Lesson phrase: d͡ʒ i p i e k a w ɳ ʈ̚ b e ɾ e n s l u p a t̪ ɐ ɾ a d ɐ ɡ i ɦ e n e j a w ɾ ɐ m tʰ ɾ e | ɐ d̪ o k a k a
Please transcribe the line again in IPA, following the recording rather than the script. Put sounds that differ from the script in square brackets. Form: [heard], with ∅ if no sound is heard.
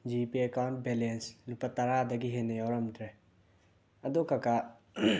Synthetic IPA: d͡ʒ i p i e k a w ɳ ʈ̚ b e [l] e n s l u p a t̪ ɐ ɾ a d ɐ ɡ i ɦ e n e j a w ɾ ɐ m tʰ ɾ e | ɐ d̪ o k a k a